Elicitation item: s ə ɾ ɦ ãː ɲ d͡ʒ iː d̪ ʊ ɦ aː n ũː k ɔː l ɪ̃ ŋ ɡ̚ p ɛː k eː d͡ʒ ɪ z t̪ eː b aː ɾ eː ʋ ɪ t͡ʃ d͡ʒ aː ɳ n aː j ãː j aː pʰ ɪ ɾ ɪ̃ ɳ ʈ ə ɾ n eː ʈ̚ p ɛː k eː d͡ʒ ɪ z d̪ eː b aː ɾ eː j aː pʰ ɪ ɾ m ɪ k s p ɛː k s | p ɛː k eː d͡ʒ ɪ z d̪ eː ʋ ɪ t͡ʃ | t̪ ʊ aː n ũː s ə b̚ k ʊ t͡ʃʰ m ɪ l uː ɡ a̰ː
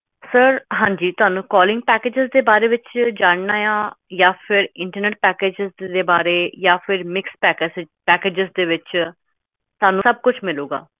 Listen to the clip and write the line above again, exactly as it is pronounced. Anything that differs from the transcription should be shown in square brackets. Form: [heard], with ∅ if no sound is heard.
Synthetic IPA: s ə ɾ ɦ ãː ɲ d͡ʒ iː [t̪] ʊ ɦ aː n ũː k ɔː l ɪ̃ ŋ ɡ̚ p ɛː k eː d͡ʒ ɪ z [d̪] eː b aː ɾ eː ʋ ɪ t͡ʃ d͡ʒ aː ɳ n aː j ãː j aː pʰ ɪ ɾ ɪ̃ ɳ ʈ ə ɾ n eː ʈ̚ p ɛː k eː d͡ʒ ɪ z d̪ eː b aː ɾ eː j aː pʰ ɪ ɾ m ɪ k s p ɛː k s | p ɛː k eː d͡ʒ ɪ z d̪ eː ʋ ɪ t͡ʃ | t̪ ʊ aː n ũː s ə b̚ k ʊ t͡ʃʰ m ɪ l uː ɡ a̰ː